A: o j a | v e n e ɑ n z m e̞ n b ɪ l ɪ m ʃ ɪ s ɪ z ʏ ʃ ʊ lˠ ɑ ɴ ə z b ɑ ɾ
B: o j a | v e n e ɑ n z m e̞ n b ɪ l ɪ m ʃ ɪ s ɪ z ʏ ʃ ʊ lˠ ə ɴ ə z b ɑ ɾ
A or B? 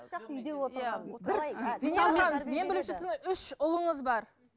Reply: B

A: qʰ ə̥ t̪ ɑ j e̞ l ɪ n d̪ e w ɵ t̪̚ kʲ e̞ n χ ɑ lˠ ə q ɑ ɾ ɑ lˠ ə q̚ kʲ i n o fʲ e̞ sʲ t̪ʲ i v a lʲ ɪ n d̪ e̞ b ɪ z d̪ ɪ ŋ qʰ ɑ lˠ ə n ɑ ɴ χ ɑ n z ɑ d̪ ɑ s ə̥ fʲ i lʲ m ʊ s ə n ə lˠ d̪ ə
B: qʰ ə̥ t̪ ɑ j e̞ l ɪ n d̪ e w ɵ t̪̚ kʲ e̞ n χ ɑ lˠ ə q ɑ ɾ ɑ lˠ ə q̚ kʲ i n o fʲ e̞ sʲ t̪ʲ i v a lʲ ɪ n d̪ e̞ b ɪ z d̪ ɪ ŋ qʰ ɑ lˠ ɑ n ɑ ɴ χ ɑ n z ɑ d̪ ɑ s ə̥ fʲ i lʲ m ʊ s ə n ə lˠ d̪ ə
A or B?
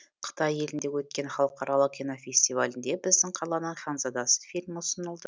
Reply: B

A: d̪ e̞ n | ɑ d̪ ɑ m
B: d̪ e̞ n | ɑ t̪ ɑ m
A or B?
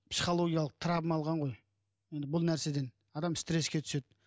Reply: A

